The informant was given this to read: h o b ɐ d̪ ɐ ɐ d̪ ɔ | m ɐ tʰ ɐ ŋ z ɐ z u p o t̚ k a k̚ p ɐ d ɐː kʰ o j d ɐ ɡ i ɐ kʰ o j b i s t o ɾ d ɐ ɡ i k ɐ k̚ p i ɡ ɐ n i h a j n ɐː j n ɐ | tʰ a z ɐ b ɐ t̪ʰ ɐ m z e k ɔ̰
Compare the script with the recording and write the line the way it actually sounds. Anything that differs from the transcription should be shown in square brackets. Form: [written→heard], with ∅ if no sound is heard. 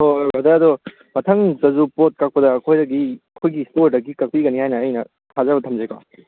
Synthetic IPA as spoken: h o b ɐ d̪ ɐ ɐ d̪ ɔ | m ɐ tʰ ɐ ŋ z ɐ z u p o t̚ k a k̚ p ɐ d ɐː kʰ o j d ɐ ɡ i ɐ kʰ o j [b→ɡ] i s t o ɾ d ɐ ɡ i k ɐ k̚ p i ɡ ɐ n i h a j n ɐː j n ɐ | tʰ a z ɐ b ɐ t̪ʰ ɐ m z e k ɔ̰